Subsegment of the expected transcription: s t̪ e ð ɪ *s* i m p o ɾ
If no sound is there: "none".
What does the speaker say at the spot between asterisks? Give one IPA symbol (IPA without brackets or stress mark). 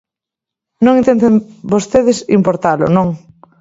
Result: s